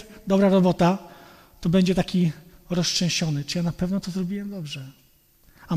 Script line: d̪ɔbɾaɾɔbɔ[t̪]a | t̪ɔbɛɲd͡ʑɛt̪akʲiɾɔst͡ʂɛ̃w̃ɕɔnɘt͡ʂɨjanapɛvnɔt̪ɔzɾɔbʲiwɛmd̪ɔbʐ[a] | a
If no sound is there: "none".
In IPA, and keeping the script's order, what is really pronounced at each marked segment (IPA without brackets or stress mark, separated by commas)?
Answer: t̪, ɛ